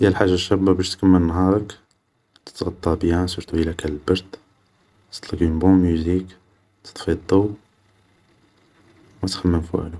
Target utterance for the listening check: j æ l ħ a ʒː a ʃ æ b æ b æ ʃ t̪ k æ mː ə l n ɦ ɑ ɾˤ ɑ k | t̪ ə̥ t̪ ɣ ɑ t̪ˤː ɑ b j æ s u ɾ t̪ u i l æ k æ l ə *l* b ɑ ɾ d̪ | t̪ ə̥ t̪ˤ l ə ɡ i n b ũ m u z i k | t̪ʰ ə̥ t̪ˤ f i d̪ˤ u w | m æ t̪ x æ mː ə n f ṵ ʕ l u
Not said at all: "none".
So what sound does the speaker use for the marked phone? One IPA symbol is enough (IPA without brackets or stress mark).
l